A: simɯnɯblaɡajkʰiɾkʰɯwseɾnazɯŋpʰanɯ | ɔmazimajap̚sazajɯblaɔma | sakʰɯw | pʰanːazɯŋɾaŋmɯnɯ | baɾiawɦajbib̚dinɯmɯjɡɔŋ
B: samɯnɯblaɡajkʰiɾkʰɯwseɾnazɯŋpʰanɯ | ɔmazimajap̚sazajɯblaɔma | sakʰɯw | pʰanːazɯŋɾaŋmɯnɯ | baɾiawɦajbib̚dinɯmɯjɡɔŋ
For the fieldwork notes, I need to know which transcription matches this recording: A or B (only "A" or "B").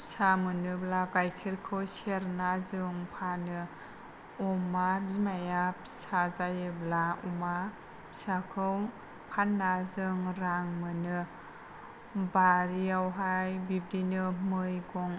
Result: B